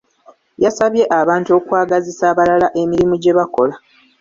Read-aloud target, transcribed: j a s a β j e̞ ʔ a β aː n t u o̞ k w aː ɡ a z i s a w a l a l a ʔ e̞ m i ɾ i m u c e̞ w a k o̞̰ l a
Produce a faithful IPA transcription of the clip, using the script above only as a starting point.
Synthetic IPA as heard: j a s a β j e̞ ʔ a β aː n t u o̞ k w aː ɡ a z i s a β a l a l a ʔ e̞ m i ɾ i m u ɟ e̞ β a k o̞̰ l a